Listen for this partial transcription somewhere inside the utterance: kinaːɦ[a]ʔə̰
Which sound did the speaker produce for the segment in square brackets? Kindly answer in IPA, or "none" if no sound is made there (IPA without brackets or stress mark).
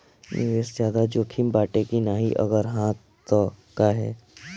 i